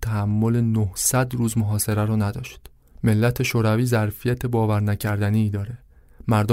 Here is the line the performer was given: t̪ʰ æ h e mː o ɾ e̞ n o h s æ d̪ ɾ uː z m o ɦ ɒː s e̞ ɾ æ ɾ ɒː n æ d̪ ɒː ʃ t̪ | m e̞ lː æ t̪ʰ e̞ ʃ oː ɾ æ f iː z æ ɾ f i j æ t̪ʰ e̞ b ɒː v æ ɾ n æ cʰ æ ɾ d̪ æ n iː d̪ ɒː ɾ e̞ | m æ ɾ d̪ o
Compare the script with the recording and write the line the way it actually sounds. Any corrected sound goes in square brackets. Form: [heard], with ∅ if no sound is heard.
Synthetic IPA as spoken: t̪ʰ æ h [æ] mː o [l] e̞ n o h s æ d̪ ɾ uː z m o ɦ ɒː s e̞ ɾ æ ɾ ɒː n æ d̪ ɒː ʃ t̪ | m e̞ lː æ t̪ʰ e̞ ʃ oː ɾ æ [v] iː z æ ɾ f i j æ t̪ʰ e̞ b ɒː v æ ɾ n æ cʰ æ ɾ d̪ æ n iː d̪ ɒː ɾ e̞ | m æ ɾ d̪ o